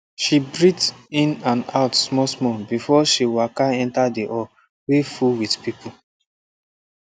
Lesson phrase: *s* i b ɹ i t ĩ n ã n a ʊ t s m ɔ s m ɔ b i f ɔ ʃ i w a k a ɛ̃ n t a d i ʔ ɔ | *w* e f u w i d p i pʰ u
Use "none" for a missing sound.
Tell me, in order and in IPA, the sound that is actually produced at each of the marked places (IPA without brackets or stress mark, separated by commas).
ʃ, w